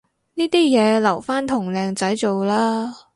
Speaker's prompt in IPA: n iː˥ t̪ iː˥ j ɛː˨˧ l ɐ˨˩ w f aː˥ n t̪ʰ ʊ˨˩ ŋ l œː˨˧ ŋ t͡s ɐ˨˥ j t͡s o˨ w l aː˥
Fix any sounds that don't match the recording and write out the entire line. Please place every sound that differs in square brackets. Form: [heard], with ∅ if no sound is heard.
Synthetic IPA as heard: n iː˥ t̪ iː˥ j ɛː˨˧ l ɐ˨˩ w f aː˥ n t̪ʰ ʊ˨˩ ŋ l [ɛː˨˧] ŋ t͡s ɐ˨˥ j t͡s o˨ w l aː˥